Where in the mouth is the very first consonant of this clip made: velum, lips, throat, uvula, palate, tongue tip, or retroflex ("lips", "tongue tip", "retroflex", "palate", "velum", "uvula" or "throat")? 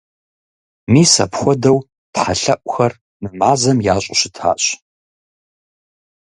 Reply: lips